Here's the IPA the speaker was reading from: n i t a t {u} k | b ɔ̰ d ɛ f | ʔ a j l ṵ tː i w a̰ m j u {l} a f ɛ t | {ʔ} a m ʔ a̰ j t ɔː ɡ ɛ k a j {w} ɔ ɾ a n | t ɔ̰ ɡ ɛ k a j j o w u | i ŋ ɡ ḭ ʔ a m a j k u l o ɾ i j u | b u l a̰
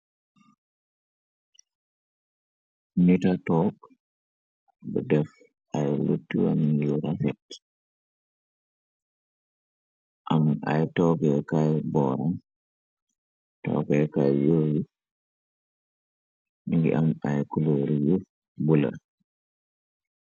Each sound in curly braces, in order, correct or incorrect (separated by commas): incorrect, incorrect, correct, incorrect